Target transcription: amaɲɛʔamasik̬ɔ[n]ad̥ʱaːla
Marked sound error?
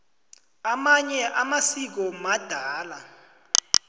yes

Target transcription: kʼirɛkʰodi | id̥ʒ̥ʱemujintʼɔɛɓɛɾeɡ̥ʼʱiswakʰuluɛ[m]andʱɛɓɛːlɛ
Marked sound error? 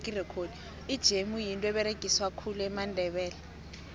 no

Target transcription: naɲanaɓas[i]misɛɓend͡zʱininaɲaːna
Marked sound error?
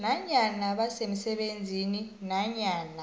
yes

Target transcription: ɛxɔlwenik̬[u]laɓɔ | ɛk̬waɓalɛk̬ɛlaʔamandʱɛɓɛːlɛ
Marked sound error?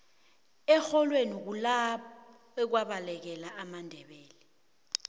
no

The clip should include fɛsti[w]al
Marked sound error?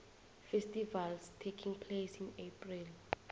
yes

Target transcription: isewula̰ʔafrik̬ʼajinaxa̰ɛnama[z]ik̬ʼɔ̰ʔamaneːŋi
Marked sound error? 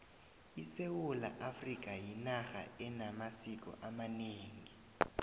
yes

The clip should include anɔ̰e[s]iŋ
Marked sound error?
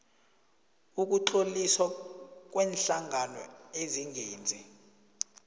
yes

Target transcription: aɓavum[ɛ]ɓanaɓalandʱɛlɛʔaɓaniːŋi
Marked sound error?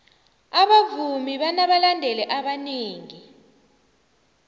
yes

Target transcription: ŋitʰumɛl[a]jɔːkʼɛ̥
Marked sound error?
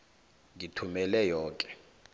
yes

